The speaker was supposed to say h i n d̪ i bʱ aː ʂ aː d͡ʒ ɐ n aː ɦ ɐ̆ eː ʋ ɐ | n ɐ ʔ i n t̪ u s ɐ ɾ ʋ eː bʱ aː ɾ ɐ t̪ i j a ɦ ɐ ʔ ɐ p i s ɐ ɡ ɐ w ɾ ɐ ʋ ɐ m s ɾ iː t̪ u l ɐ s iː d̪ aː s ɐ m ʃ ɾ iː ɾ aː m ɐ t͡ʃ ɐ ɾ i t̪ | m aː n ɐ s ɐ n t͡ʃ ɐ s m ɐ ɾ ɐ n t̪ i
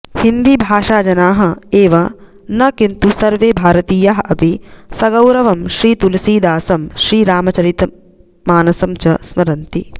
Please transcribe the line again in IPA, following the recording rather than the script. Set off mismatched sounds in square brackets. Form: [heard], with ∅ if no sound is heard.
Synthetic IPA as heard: h i n d̪ i bʱ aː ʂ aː d͡ʒ ɐ n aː ɦ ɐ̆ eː ʋ ɐ | n ɐ [k] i n t̪ u s ɐ ɾ ʋ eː bʱ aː ɾ ɐ t̪ [iː] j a ɦ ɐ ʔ ɐ p i s ɐ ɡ ɐ w ɾ ɐ ʋ ɐ m [ʃ] ɾ iː t̪ u l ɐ s iː d̪ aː s ɐ m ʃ ɾ iː ɾ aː m ɐ t͡ʃ ɐ ɾ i t̪ | m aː n ɐ s ɐ [m] t͡ʃ ɐ s m ɐ ɾ ɐ n t̪ i